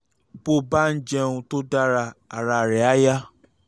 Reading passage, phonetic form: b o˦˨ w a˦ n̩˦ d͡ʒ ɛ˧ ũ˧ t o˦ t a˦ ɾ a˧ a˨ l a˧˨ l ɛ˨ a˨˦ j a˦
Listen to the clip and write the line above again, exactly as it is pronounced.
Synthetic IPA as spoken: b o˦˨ b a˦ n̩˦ d͡ʒ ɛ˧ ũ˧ t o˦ d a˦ ɾ a˧ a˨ ɾ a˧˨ ɾ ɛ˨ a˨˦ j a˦